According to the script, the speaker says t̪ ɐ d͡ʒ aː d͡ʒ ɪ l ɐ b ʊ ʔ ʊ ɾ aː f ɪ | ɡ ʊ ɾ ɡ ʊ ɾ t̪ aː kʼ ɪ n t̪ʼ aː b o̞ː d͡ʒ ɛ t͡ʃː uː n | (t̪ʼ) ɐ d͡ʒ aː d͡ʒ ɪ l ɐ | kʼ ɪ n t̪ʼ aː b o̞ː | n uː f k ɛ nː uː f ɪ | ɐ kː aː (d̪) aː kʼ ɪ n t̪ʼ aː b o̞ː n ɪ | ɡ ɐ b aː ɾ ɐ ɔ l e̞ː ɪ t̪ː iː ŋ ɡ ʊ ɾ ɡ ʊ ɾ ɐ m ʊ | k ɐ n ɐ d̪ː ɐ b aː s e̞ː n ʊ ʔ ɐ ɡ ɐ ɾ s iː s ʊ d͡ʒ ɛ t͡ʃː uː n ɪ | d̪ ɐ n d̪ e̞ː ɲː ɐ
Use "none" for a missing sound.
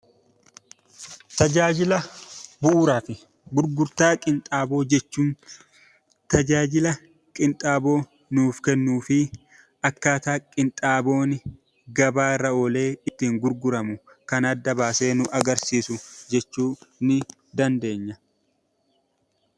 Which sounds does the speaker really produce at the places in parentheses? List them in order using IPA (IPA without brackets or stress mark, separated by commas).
t̪, t̪